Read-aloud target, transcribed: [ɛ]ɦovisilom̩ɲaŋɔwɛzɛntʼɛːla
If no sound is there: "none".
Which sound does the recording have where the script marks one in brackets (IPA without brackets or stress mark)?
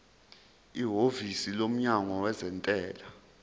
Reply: i